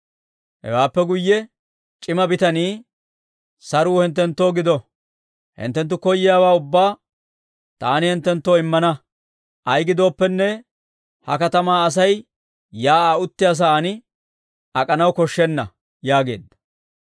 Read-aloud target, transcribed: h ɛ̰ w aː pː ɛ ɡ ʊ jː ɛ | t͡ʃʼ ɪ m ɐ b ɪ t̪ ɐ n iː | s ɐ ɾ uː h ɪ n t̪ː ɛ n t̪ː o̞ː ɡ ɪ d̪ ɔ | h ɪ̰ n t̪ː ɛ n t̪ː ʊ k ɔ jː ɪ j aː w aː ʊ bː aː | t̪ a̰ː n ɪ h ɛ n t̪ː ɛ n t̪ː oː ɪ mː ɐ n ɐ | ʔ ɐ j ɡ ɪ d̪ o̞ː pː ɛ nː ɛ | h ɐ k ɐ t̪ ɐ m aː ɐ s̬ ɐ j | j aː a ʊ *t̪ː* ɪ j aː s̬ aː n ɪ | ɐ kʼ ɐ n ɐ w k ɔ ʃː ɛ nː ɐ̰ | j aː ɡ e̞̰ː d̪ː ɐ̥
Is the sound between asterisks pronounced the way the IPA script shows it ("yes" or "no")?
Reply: yes